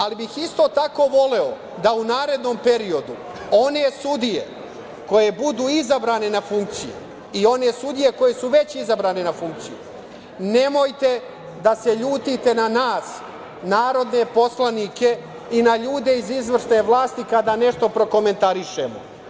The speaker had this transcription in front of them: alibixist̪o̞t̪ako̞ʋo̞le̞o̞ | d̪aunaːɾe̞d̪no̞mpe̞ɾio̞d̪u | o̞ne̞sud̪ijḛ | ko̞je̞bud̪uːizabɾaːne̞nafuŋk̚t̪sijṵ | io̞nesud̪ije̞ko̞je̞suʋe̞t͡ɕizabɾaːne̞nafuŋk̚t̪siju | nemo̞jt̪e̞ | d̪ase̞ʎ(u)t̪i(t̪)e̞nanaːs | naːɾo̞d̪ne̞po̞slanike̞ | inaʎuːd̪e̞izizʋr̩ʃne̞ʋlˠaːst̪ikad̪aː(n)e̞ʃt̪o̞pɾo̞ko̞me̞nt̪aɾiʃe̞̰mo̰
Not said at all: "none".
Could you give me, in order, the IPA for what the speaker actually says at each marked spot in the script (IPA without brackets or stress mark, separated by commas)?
uː, t̪, n